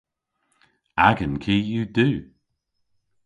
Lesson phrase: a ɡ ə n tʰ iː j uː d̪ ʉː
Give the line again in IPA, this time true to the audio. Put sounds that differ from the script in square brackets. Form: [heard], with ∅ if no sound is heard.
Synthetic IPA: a ɡ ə n [kʰ] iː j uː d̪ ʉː